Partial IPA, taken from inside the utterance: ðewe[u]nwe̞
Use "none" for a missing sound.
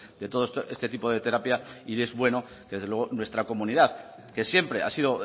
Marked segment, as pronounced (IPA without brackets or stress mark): o